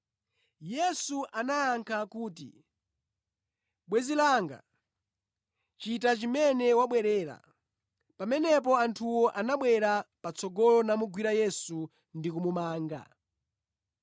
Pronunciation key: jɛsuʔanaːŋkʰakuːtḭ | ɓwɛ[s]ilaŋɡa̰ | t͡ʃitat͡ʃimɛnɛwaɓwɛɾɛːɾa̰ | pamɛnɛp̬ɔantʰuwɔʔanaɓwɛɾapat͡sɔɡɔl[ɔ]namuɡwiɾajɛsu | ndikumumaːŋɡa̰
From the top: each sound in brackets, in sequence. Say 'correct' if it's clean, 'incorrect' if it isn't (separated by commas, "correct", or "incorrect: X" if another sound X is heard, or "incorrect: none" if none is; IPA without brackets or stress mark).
incorrect: z, correct